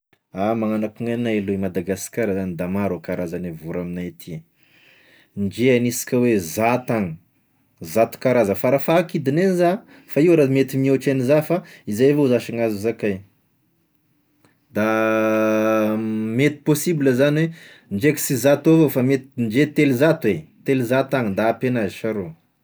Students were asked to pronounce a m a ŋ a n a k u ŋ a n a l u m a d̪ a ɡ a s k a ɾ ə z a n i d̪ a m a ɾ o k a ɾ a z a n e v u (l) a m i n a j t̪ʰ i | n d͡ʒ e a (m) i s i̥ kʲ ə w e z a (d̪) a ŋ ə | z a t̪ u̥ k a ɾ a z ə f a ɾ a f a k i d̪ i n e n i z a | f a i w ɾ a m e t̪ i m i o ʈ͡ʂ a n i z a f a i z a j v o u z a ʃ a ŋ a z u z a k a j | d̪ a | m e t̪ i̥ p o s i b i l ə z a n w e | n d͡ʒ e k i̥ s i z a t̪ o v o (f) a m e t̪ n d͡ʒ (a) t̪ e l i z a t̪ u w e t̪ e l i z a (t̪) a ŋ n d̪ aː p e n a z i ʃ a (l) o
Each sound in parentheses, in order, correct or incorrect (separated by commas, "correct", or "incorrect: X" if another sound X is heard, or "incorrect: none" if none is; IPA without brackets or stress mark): incorrect: ɾ, incorrect: n, incorrect: t̪, correct, incorrect: e, correct, incorrect: ɾ